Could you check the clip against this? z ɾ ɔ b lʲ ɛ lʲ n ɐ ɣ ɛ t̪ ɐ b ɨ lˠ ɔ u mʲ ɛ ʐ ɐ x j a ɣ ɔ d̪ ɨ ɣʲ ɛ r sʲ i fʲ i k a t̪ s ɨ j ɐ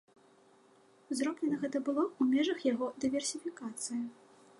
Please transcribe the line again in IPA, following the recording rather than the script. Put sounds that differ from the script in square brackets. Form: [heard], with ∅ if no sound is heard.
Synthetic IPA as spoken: z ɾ ɔ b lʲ ɛ [∅] n ɐ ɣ ɛ t̪ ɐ b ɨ lˠ ɔ u mʲ ɛ ʐ ɐ x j a ɣ ɔ d̪ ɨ [vʲ] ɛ r sʲ i fʲ i k a t̪ s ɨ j ɐ